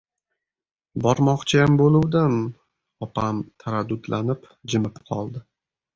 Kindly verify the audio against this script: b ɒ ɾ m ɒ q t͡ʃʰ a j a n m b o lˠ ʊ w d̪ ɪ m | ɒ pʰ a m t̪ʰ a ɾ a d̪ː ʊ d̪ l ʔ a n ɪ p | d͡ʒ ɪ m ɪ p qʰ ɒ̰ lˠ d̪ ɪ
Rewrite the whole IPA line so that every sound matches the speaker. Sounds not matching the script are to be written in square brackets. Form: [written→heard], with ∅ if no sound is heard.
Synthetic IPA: b ɒ ɾ m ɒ q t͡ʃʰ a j a [n→∅] m b o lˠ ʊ w d̪ ɪ m | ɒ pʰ a m t̪ʰ a ɾ a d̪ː ʊ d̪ l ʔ a n ɪ p | d͡ʒ ɪ m ɪ p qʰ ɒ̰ lˠ d̪ ɪ